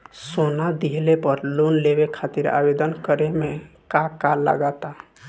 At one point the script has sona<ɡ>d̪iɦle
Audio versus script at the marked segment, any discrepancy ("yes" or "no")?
yes